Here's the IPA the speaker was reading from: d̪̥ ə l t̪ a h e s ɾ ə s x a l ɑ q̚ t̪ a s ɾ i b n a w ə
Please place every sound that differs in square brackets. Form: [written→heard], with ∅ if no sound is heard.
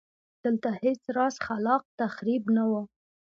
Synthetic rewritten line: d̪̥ ə l t̪ a h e [s→t͡s] ɾ [ə→ɑ] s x a l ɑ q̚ t̪ a [s→x] ɾ i b n a w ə